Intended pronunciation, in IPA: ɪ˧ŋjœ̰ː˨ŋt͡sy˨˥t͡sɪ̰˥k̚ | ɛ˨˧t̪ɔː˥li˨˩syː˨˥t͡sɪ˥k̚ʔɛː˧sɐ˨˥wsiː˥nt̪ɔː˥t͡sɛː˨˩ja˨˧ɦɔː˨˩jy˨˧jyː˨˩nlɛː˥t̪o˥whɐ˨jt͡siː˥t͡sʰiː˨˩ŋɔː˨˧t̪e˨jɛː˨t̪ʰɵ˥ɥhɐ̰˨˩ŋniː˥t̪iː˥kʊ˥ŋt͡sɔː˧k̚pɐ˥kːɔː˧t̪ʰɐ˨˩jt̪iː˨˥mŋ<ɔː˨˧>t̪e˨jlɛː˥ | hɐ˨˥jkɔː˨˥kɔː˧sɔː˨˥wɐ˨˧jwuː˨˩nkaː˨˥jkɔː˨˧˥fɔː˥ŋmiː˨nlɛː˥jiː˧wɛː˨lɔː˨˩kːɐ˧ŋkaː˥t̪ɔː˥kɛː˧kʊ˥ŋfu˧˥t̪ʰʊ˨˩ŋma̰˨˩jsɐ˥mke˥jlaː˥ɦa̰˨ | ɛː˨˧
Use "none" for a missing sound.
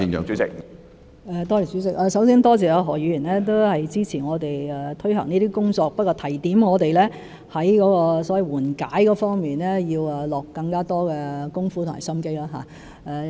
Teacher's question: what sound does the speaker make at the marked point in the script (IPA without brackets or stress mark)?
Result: ɔː˨˧